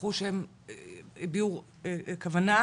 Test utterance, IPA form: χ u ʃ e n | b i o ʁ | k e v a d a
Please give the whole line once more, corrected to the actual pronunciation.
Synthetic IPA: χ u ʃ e m | b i u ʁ | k a v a n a